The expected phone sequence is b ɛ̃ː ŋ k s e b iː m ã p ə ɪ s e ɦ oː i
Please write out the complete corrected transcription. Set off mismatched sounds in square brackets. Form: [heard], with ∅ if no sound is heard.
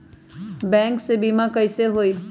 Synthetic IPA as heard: b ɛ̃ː ŋ k s e b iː m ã [k] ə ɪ s e ɦ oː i